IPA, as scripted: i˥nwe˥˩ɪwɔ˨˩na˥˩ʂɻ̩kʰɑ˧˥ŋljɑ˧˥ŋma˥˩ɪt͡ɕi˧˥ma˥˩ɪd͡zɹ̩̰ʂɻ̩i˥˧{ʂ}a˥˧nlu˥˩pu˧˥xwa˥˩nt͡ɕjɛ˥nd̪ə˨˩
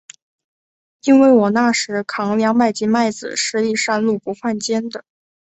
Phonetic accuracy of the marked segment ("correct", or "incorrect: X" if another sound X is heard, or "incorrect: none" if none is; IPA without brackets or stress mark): correct